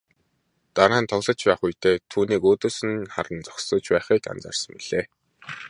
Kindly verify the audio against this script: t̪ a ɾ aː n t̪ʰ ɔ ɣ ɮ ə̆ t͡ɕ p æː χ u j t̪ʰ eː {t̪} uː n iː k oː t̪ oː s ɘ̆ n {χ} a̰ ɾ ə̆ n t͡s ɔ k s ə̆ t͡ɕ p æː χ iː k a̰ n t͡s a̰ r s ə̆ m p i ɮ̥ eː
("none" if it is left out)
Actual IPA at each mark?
t̪ʰ, χ

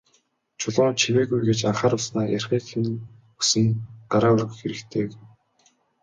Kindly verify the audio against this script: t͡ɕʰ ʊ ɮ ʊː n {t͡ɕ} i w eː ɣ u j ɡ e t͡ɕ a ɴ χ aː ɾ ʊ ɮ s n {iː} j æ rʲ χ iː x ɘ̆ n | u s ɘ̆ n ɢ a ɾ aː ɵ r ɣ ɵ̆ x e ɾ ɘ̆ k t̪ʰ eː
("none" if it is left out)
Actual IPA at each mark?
t͡ɕʰ, aː

